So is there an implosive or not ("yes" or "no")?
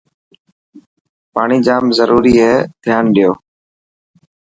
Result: yes